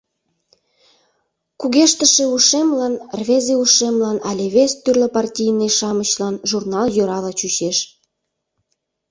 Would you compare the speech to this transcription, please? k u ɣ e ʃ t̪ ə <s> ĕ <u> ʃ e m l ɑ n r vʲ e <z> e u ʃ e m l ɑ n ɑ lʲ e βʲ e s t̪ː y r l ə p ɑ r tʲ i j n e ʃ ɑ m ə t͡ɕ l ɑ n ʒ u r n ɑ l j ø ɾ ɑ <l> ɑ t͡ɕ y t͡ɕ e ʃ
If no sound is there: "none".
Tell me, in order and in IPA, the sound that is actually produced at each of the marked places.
ʃ, u, z, l

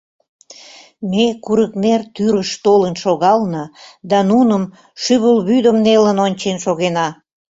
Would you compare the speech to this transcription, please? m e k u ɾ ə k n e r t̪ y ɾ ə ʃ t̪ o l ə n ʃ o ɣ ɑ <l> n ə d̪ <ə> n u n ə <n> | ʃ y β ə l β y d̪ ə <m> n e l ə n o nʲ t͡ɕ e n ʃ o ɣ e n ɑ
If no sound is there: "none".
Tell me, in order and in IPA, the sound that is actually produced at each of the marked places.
l, ɑ, m, m

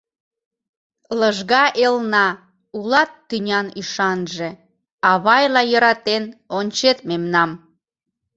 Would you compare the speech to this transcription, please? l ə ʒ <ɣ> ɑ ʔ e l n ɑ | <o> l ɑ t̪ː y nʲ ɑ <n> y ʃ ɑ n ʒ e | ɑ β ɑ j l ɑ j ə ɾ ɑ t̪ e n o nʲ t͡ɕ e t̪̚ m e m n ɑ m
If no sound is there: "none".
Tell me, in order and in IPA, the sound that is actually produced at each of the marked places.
ɣ, u, n

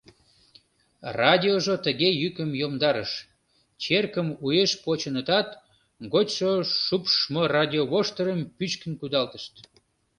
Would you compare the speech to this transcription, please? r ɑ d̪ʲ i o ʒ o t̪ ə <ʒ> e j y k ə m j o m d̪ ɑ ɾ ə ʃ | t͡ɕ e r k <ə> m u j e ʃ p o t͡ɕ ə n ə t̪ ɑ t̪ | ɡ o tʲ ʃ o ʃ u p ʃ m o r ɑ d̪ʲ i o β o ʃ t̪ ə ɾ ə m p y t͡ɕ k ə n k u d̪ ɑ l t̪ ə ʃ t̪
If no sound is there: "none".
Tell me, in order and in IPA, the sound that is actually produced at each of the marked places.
ɣ, ə

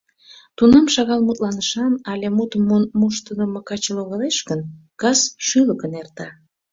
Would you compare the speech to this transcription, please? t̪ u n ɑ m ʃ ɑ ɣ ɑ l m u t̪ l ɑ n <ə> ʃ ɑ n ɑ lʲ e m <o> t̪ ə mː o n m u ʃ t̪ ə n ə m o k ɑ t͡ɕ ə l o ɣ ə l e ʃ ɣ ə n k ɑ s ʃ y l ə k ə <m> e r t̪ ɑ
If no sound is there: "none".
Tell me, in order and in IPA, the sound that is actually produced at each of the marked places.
ə, u, n

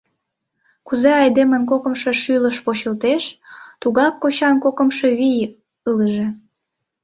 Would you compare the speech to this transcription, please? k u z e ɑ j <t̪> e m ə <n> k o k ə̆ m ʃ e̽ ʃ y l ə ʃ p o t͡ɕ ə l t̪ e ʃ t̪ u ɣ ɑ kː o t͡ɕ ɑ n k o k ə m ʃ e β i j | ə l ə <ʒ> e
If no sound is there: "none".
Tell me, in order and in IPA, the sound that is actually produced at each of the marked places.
d̪, n, ʒ

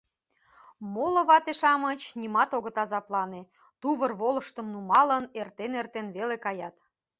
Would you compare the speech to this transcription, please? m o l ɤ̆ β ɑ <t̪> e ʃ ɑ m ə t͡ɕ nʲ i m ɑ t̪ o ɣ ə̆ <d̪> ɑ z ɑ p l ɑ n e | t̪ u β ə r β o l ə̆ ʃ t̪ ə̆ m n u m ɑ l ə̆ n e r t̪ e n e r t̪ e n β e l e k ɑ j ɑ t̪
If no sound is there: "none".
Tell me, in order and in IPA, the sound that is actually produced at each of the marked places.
t̪, t̪

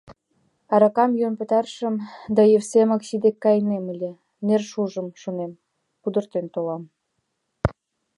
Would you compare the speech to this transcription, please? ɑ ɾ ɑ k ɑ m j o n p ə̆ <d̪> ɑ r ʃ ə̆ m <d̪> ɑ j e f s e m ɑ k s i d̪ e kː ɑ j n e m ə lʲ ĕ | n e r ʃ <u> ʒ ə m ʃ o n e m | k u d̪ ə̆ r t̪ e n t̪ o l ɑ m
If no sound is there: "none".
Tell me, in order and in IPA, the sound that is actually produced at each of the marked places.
t̪, d̪, u

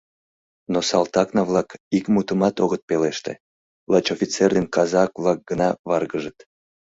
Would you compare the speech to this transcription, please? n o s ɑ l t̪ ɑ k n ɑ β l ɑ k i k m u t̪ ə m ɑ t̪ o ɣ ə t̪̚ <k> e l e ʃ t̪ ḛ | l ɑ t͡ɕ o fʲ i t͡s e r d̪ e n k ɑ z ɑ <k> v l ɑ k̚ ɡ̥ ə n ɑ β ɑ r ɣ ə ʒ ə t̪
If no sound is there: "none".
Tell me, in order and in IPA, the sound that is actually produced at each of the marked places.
p, k

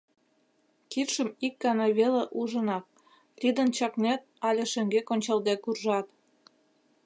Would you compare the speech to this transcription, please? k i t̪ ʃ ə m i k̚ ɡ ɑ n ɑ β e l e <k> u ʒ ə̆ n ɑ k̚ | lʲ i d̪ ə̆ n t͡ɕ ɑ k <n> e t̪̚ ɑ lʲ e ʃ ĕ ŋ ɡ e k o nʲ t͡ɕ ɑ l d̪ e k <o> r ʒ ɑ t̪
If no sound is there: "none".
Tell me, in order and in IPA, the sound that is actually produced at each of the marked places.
ʔ, n, u

